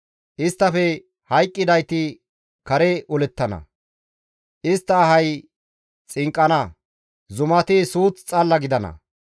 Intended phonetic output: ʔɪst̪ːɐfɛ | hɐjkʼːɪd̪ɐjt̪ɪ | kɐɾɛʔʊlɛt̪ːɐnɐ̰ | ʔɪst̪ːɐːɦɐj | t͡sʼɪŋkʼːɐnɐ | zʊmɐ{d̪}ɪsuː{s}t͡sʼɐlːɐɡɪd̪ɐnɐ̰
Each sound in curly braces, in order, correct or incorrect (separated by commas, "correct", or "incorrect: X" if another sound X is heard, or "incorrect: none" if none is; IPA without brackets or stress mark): incorrect: t̪, incorrect: t͡s